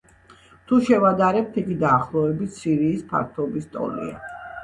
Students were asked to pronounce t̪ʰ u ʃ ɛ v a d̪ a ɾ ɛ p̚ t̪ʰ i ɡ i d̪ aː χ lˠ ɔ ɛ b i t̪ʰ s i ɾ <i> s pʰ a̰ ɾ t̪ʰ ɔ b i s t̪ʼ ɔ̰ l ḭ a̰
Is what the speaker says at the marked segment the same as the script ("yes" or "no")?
no